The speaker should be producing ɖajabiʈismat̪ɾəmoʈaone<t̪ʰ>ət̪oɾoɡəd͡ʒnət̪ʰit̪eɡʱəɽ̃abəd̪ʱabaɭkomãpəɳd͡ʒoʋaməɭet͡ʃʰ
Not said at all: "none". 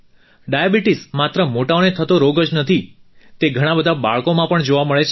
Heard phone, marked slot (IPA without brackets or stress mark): t̪ʰ